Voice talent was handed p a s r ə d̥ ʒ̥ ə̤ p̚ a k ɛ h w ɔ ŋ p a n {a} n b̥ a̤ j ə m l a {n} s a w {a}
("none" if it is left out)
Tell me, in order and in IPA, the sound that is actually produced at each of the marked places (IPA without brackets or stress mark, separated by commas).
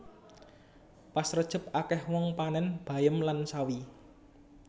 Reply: ɛ, n, i